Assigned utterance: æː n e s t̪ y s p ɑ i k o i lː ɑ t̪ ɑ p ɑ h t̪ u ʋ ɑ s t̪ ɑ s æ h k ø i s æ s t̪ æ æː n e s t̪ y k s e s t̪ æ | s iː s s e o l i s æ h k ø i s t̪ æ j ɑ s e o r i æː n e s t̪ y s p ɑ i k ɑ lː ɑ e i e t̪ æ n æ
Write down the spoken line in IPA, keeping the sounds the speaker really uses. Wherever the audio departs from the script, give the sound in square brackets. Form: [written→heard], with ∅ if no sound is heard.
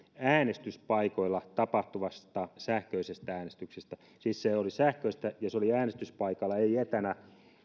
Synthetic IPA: æː n e s t̪ y s p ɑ i k o i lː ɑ t̪ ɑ p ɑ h t̪ u ʋ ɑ s t̪ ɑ s æ h k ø i s [æ→e] s t̪ æ æː n e s t̪ y k s e s t̪ æ | s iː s s e o l i s æ h k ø i s t̪ æ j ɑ s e o [r→l] i æː n e s t̪ y s p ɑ i k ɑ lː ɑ e i e t̪ æ n æ